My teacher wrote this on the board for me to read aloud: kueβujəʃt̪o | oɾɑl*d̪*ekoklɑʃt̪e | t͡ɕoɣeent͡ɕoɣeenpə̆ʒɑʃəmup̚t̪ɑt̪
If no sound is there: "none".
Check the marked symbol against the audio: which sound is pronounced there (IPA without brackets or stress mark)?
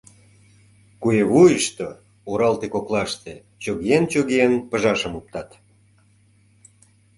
t̪